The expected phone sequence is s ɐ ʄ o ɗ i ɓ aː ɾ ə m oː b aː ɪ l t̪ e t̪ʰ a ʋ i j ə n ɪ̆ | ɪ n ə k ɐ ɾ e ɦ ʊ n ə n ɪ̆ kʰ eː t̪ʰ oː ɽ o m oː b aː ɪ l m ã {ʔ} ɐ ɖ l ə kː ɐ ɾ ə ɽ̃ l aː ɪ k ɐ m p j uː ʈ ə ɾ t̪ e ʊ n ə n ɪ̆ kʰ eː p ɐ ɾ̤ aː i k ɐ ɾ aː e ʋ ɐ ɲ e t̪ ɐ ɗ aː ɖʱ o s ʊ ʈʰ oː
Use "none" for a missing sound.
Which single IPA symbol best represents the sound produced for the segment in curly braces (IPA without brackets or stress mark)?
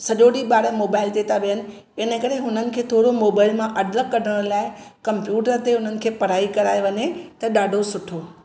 ʔ